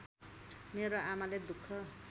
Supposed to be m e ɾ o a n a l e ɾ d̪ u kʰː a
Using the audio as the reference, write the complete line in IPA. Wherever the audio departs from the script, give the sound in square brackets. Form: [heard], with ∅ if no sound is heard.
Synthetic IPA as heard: m e ɾ o a [m] a l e [∅] d̪ u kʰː [ʌ]